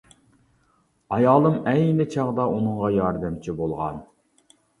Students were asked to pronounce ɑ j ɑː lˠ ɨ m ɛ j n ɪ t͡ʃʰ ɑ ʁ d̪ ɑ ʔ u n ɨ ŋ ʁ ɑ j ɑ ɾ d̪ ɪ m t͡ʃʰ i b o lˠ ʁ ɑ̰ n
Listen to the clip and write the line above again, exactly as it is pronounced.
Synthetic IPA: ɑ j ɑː lˠ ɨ m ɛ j n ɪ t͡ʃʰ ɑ ʁ d̪ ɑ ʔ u n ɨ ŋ ʁ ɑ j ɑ ɾ d̪ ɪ m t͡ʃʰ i b o lˠ ʁ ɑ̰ n